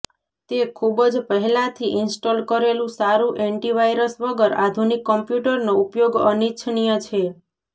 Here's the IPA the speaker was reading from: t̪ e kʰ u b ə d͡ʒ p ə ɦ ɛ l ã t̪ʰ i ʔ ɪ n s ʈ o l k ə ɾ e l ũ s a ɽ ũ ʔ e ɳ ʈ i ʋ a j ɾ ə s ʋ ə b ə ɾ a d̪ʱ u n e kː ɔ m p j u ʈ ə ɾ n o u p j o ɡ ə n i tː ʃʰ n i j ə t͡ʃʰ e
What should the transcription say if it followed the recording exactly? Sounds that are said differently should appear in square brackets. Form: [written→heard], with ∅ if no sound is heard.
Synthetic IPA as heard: t̪ e kʰ u b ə d͡ʒ p ə ɦ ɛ l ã t̪ʰ i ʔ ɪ n s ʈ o l k ə ɾ e l ũ s a [ɽ→ɾ] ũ ʔ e ɳ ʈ i ʋ a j ɾ ə s ʋ ə [b→ɡ] ə ɾ a d̪ʱ u n [e→i] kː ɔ m p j u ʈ ə ɾ n o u p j o ɡ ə n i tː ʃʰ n i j ə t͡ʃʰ e

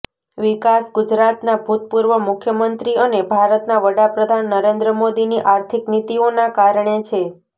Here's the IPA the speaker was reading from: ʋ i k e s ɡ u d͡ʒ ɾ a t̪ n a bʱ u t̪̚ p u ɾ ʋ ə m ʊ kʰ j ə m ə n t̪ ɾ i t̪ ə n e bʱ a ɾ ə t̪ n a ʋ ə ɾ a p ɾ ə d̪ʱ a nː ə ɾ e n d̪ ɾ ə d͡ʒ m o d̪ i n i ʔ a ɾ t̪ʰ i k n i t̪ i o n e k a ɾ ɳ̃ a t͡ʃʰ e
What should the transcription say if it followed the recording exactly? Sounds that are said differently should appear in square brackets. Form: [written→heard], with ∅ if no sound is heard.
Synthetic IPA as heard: ʋ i k [e→a] s ɡ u d͡ʒ ɾ a t̪ n a bʱ u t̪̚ p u ɾ ʋ ə m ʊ kʰ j ə m ə n t̪ ɾ i [t̪→∅] ə n e bʱ a ɾ ə t̪ n a ʋ ə [ɾ→ɽ] a p ɾ ə d̪ʱ a nː ə ɾ e n d̪ ɾ ə [d͡ʒ→∅] m o d̪ i n i ʔ a ɾ t̪ʰ i k n i t̪ i o n [e→a] k a ɾ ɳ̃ [a→e] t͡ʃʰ e

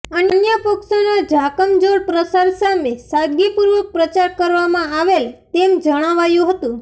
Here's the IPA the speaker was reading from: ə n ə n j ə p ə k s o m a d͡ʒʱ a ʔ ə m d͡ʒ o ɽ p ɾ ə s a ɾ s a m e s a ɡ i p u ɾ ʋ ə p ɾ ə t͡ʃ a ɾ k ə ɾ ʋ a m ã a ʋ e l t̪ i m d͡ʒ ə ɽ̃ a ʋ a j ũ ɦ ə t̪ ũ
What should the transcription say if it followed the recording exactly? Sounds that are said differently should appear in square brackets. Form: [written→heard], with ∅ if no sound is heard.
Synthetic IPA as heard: ə n ə n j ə p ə k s o [m→n] a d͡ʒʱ a [ʔ→k] ə m d͡ʒ o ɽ p ɾ ə s a ɾ s a m e s a ɡ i p u ɾ ʋ ə p ɾ ə t͡ʃ a ɾ k ə ɾ ʋ a m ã a ʋ e l t̪ [i→e] m d͡ʒ ə ɽ̃ a ʋ a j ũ ɦ ə t̪ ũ

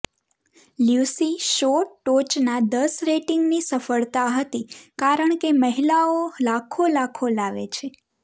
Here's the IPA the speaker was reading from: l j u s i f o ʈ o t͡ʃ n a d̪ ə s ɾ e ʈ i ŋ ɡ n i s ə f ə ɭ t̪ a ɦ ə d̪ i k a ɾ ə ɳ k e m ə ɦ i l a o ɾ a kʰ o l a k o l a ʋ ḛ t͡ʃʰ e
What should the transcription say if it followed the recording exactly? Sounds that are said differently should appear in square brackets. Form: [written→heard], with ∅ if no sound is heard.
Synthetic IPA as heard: l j u s i [f→ʃ] o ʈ o t͡ʃ n a d̪ ə s ɾ e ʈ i ŋ ɡ n i s ə f ə ɭ t̪ a ɦ ə [d̪→t̪] i k a ɾ ə ɳ k e m ə ɦ i l a o [ɾ→l] a kʰ o l a [k→kʰ] o l a ʋ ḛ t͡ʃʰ e

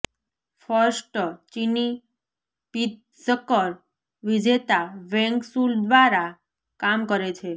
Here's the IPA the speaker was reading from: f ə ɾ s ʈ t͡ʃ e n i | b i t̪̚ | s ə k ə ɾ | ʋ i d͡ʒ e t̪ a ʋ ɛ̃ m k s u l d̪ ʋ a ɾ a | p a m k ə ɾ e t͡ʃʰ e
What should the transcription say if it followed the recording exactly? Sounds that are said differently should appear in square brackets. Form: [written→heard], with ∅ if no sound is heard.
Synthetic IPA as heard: f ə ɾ s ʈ t͡ʃ [e→i] n i | [b→p] i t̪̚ | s ə k ə ɾ | ʋ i d͡ʒ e t̪ a ʋ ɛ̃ [m→ŋ] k s u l d̪ ʋ a ɾ a | [p→k] a m k ə ɾ e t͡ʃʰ e

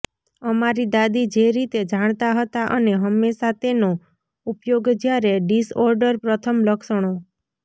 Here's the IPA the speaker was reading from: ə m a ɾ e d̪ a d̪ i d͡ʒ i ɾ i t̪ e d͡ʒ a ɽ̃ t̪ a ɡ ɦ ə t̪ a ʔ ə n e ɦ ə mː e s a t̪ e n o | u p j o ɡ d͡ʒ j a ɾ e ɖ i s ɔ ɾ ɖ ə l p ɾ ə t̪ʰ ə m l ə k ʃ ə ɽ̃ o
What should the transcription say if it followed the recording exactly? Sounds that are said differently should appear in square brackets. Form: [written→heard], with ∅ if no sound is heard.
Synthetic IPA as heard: ə m a ɾ [e→i] d̪ a d̪ i d͡ʒ [i→e] ɾ i t̪ e d͡ʒ a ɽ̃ t̪ a [ɡ→∅] ɦ ə t̪ a ʔ ə n e ɦ ə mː e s a t̪ e n o | u p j o ɡ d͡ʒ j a ɾ e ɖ i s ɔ ɾ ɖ ə [l→ɾ] p ɾ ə t̪ʰ ə m l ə k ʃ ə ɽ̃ o

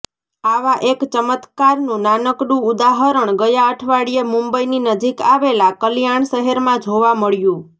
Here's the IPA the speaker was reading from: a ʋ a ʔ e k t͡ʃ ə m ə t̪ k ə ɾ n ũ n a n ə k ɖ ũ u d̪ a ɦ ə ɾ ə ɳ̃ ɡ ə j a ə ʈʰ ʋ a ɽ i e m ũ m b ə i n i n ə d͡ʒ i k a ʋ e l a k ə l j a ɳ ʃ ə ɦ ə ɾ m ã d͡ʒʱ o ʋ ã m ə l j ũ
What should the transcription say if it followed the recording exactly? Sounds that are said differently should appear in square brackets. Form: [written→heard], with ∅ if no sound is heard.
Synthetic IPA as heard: a ʋ a ʔ e k t͡ʃ ə m ə t̪ k [ə→a] ɾ n ũ n a n ə k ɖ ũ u d̪ a ɦ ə ɾ ə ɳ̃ ɡ ə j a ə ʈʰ ʋ a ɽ i e m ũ m b ə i n i n ə d͡ʒ i k a ʋ e l a k ə l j a ɳ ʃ ə ɦ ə ɾ m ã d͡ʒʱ o ʋ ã m ə [l→ɭ] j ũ

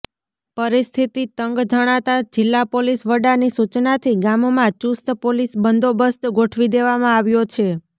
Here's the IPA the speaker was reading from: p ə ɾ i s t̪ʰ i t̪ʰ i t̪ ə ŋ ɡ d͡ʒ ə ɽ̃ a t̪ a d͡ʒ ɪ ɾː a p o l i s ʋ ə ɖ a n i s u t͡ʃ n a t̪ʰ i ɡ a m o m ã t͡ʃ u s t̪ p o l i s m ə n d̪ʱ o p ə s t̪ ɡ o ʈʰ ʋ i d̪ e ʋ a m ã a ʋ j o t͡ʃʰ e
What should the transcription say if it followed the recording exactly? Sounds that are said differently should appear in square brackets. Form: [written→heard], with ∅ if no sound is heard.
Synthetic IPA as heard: p ə ɾ i s t̪ʰ i [t̪ʰ→t̪] i t̪ ə ŋ ɡ d͡ʒ ə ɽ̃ a t̪ a d͡ʒ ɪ [ɾː→lː] a p o l i s ʋ ə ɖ a n i s u t͡ʃ n a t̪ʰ i ɡ a m o m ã t͡ʃ u s t̪ p o l i s [m→b] ə n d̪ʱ o [p→b] ə s t̪ ɡ o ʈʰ ʋ i d̪ e ʋ a m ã a ʋ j o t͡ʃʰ e

